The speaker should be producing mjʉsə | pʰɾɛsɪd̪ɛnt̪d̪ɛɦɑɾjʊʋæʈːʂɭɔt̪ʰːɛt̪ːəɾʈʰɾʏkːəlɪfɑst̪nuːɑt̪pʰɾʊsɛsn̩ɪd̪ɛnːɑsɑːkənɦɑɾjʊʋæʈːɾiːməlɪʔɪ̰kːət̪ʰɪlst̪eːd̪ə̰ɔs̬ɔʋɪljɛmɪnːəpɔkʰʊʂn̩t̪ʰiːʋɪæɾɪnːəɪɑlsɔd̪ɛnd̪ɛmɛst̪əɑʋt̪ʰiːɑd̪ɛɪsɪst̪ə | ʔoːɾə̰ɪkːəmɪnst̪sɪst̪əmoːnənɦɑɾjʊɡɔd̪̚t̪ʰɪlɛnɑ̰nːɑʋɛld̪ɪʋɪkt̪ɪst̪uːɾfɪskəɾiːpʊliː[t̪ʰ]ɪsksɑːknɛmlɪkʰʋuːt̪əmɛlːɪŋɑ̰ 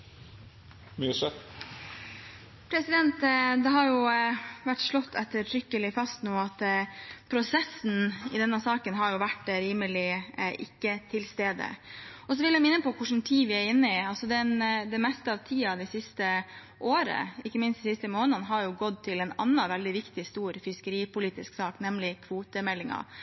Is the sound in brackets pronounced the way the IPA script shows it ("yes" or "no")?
no